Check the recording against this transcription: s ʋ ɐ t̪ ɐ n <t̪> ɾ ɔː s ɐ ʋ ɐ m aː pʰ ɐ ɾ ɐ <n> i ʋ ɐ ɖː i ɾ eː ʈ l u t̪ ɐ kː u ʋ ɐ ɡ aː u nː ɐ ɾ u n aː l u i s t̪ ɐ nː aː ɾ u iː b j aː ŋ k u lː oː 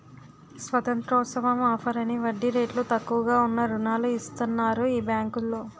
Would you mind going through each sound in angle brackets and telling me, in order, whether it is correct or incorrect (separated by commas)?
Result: correct, correct